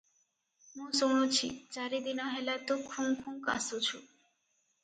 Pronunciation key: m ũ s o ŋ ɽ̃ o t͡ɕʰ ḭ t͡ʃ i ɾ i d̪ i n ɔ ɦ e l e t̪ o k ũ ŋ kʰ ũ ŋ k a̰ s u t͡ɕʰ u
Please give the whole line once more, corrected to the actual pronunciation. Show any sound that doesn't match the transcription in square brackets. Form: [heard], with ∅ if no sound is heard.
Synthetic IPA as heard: m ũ s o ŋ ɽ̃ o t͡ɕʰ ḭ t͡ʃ [a] ɾ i d̪ i n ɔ ɦ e l [a] t̪ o [kʰ] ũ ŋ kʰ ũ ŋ k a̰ s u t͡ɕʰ u

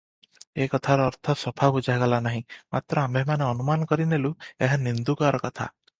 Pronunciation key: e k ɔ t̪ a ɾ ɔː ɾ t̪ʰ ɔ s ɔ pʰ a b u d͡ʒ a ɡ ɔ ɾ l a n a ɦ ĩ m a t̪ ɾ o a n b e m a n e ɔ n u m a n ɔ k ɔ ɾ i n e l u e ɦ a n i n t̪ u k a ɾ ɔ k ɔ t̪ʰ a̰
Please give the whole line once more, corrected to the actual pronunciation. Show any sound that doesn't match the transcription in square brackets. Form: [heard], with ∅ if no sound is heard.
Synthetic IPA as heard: e k ɔ [t̪ʰ] a ɾ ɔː ɾ t̪ʰ ɔ s ɔ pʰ a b u d͡ʒ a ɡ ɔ [∅] l a n a ɦ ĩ m a t̪ ɾ [ɔ] a [m] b e m a n e ɔ n u m a n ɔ k ɔ ɾ i n e l u e ɦ a n i n [d̪] u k a ɾ ɔ k ɔ t̪ʰ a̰

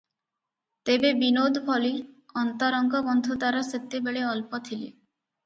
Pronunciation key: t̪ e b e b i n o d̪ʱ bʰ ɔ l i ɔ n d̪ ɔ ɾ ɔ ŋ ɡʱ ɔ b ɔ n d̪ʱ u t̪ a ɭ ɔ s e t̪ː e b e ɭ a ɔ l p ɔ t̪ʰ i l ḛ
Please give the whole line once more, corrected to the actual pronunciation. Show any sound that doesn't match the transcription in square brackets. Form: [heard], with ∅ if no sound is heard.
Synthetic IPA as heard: t̪ e b e b i n o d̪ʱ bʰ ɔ l i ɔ n [t̪] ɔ ɾ ɔ ŋ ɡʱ ɔ b ɔ n d̪ʱ u t̪ a [ɾ] ɔ s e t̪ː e b e ɭ [e] ɔ l p ɔ t̪ʰ i l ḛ

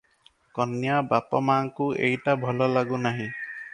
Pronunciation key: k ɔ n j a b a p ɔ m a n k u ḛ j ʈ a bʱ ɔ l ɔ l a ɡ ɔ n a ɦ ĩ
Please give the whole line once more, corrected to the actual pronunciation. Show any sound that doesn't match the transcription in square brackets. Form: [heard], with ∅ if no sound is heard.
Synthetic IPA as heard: k ɔ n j a b a p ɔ m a [ŋ] k u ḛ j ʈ a bʱ ɔ l ɔ l a ɡ [u] n a ɦ ĩ

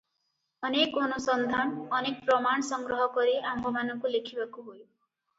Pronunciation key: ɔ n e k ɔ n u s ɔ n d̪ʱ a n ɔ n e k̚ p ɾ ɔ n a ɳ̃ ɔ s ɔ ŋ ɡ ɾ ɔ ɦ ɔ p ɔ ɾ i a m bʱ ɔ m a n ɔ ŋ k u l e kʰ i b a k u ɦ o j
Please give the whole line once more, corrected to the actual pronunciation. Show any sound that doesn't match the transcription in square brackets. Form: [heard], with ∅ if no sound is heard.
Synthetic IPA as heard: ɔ n e k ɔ n u s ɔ n d̪ʱ a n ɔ n e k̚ p ɾ ɔ [m] a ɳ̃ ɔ s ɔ ŋ ɡ ɾ ɔ ɦ ɔ [k] ɔ ɾ i a m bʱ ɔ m a n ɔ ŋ k u l e kʰ i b a k u ɦ o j

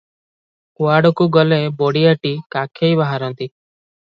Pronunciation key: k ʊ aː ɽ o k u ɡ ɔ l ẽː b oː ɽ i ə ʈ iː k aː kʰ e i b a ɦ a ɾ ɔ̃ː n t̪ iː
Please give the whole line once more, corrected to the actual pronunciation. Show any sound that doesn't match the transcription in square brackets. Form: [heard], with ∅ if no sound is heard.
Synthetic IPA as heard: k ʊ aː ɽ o k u ɡ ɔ l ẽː b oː ɽ i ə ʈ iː k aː kʰ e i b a ɦ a ɾ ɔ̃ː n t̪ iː

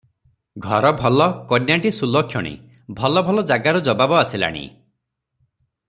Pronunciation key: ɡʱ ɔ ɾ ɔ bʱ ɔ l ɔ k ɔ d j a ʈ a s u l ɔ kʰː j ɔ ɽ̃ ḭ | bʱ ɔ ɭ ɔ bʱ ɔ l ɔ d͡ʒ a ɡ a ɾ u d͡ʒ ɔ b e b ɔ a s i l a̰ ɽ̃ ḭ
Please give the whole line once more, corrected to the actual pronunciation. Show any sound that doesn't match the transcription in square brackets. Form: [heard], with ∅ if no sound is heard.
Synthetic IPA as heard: ɡʱ ɔ ɾ ɔ bʱ ɔ l ɔ k ɔ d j a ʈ [i] s u l ɔ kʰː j ɔ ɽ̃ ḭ | bʱ ɔ [l] ɔ bʱ ɔ l ɔ d͡ʒ a ɡ a ɾ u d͡ʒ ɔ b [a] b ɔ a s i l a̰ ɽ̃ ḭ

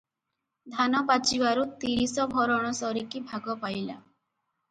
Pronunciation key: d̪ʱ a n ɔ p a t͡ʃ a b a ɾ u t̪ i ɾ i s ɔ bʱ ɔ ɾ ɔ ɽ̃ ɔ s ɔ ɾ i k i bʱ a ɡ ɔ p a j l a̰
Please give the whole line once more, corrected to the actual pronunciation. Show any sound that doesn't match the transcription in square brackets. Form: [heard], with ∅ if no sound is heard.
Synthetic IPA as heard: d̪ʱ a n ɔ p a t͡ʃ [i] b a ɾ u t̪ i ɾ i s ɔ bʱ ɔ ɾ ɔ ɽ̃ ɔ s ɔ ɾ i k i bʱ a ɡ ɔ p a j l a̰

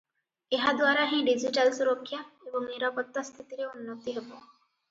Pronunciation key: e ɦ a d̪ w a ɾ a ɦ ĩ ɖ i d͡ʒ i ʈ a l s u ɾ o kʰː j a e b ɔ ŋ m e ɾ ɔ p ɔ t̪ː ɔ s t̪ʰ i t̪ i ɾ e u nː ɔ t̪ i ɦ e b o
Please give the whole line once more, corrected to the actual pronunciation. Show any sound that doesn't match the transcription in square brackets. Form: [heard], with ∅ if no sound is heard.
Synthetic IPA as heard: e ɦ a d̪ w a ɾ a ɦ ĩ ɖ i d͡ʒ i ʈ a l s u ɾ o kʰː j a e b ɔ ŋ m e ɾ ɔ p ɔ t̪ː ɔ s t̪ʰ i t̪ i ɾ e u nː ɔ t̪ i ɦ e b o

